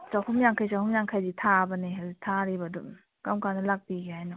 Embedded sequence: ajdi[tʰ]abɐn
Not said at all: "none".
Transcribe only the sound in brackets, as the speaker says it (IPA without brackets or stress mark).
tʰ